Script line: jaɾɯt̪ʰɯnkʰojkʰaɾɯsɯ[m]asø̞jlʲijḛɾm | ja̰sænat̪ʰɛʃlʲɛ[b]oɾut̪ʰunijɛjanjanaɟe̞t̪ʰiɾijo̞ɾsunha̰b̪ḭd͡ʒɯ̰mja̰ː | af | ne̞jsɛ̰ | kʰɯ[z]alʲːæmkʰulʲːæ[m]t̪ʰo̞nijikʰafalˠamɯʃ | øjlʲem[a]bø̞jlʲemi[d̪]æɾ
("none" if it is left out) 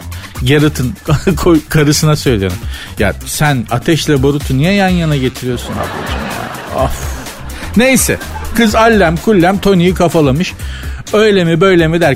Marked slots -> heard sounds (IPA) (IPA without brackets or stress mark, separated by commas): n, b, z, m, i, d̪